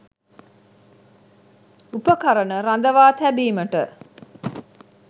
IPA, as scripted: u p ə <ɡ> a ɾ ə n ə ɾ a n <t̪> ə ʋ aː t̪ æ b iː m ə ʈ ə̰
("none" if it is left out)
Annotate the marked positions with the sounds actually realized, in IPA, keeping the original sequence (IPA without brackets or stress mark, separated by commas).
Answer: k, d̪